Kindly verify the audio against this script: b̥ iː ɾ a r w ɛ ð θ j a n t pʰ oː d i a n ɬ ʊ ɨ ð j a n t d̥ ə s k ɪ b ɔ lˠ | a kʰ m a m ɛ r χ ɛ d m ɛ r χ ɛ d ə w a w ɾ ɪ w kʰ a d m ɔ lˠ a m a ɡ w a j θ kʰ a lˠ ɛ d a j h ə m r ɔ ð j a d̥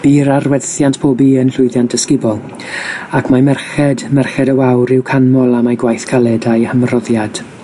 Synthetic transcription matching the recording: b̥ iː ɾ a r w ɛ ð θ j a n t pʰ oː b i ə n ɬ ʊ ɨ ð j a n t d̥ ə s k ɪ b ɔ lˠ | a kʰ m a m ɛ r χ ɛ d m ɛ r χ ɛ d ə w a w ɾ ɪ w kʰ a n m ɔ lˠ a m a ɡ w a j θ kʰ a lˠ ɛ d a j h ə m r ɔ ð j a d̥